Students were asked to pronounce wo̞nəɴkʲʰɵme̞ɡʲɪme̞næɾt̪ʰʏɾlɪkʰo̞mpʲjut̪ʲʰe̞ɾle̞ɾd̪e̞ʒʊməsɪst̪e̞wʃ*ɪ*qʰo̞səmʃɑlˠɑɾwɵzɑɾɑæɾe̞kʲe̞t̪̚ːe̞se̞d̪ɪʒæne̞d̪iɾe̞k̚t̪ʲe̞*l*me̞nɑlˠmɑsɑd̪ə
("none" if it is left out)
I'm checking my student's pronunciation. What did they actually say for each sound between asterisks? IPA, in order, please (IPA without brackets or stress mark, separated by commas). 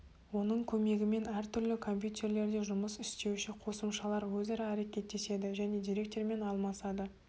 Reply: ɪ, ɾ